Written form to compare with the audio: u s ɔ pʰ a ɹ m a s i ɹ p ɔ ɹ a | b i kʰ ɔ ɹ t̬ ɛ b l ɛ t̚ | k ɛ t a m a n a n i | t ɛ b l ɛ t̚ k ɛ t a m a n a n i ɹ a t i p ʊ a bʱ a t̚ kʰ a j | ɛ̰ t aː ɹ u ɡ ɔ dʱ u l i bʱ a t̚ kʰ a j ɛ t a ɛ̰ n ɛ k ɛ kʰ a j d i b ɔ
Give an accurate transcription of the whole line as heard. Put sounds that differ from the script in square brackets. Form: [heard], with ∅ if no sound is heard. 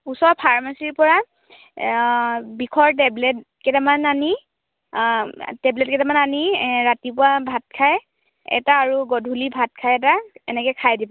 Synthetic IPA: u s ɔ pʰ a ɹ m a s i ɹ p ɔ ɹ a | b i kʰ ɔ ɹ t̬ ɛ b l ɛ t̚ | k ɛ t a m a n a n i | t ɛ b l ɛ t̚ k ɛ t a m a n a n i ɹ a t i p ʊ a bʱ a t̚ kʰ a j | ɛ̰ t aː ɹ u ɡ ɔ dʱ u l i bʱ a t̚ kʰ a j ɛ t a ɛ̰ n ɛ k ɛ kʰ a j d i b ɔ